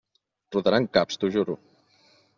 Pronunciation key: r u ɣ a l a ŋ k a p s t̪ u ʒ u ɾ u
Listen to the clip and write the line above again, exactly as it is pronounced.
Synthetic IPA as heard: r u ð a ɾ a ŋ k a p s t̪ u ʒ u ɾ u